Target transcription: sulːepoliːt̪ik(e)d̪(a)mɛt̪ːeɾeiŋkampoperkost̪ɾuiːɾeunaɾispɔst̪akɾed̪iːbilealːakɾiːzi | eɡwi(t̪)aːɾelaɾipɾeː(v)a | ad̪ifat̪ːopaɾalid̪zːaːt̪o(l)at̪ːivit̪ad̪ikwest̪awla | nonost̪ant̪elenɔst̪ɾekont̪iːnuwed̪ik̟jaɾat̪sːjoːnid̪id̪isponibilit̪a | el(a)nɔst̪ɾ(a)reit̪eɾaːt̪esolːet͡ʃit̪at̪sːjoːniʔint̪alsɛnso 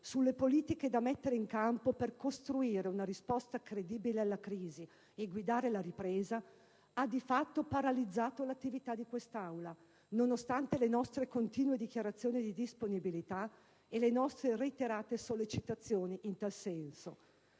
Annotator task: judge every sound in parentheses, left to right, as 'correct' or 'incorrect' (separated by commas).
correct, correct, incorrect, incorrect, correct, incorrect, incorrect